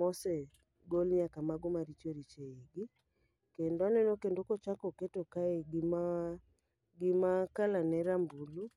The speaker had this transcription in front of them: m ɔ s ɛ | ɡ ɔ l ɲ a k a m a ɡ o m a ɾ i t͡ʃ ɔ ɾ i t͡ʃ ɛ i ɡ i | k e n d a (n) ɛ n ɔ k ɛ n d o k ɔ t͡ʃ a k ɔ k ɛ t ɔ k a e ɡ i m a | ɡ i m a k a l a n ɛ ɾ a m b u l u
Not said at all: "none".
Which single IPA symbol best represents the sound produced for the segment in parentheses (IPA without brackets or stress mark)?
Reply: n